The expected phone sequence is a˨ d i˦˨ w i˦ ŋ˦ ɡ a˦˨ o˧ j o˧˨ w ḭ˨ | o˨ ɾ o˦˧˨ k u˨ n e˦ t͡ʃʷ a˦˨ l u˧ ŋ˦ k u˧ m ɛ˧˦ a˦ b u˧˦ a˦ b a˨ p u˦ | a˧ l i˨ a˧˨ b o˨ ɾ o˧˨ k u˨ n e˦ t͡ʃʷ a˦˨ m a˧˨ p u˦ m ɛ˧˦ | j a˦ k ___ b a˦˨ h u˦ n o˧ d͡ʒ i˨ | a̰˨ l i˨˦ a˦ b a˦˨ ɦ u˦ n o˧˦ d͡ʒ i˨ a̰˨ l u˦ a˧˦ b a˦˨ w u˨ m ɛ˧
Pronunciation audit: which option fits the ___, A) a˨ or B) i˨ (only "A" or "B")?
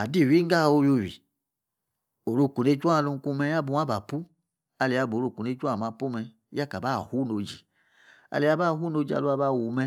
A